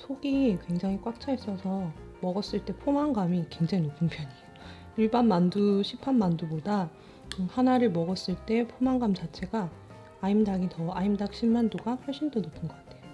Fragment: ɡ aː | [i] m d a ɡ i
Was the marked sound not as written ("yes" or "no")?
no